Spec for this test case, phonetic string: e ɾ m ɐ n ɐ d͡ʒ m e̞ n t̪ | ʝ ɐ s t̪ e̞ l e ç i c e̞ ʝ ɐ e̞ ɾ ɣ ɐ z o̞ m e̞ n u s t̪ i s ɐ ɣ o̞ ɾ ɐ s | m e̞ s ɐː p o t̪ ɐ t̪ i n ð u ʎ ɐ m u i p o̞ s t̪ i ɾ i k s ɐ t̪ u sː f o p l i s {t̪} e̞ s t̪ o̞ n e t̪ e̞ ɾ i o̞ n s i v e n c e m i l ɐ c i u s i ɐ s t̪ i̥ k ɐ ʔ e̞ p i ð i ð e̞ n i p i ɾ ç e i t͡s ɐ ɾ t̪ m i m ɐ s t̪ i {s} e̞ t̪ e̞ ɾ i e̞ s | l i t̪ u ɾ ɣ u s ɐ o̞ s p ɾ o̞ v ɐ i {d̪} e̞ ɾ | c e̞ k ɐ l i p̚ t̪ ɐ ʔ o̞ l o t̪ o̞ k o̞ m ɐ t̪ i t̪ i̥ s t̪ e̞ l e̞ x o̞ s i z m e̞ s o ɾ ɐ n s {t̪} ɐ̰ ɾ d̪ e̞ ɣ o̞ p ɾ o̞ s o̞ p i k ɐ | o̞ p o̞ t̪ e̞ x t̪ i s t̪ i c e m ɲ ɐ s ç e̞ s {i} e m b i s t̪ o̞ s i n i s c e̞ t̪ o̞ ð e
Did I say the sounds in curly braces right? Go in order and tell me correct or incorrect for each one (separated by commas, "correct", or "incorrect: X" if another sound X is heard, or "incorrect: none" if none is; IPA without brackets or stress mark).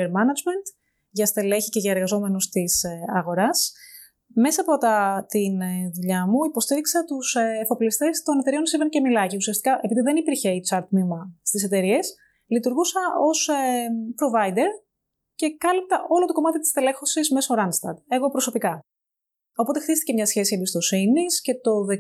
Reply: correct, correct, correct, correct, correct